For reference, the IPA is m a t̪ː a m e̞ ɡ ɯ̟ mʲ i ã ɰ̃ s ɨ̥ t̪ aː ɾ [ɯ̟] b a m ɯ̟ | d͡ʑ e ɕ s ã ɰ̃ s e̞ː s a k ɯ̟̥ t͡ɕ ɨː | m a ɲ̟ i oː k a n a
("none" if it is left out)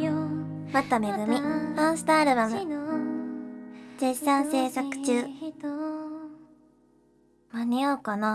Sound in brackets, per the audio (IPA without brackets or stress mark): ɯ̟